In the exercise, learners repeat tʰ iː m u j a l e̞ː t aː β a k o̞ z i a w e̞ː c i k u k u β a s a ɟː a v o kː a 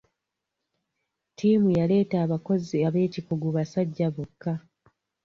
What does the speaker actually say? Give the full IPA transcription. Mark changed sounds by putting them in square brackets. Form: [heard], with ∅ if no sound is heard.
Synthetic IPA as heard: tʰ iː m u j a l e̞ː t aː β a k o̞ z i a [β] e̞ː c i k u [ɡ] u β a s a ɟː a [β] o kː a